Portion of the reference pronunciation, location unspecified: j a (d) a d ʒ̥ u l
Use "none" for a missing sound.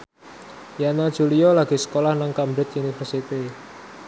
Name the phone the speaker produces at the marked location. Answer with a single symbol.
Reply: n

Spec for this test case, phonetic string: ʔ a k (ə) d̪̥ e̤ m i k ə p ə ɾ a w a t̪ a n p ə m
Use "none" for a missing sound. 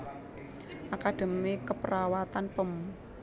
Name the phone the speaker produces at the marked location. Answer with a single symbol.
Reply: a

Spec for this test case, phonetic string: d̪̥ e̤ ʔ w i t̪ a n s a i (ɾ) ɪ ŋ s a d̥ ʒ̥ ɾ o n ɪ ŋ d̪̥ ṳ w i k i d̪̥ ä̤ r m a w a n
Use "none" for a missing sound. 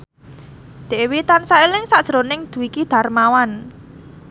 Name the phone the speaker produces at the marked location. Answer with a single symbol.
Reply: l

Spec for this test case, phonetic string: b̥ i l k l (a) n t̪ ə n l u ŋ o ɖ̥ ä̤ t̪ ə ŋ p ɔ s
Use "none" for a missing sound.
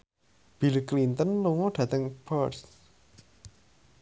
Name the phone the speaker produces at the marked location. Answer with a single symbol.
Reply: i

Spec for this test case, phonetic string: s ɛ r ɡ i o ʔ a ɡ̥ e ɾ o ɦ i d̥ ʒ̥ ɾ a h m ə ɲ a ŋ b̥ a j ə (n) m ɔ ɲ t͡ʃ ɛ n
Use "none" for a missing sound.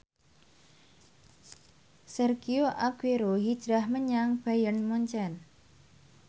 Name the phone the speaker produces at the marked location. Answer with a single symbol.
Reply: n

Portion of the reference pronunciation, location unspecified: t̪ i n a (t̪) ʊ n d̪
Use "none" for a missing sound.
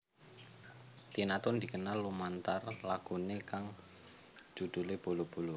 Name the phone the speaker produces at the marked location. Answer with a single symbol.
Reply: t̪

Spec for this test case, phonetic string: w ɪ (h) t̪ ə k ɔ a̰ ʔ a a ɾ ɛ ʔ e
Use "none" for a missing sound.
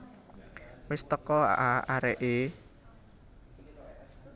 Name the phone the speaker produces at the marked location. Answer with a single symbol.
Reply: s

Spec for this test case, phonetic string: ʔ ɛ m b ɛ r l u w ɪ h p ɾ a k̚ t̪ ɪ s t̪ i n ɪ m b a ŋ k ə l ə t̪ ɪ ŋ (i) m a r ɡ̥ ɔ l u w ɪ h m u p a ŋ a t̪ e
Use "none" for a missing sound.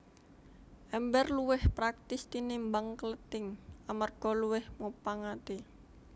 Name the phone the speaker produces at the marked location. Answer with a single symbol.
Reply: a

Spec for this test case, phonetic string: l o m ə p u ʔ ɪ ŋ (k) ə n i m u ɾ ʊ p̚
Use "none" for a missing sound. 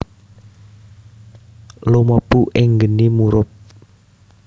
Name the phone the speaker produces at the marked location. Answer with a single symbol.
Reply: ɡ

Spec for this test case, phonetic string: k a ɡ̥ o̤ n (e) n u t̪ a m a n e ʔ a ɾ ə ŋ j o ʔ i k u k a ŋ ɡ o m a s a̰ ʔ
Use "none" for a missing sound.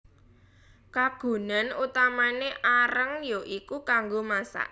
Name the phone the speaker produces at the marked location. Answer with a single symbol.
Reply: a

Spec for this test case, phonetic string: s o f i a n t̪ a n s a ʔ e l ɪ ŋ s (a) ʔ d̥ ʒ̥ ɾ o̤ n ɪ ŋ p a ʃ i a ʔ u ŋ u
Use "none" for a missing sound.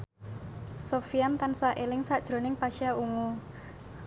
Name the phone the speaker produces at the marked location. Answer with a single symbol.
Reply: a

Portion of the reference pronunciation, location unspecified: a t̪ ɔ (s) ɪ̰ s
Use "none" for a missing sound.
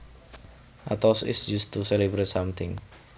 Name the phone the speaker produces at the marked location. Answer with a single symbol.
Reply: s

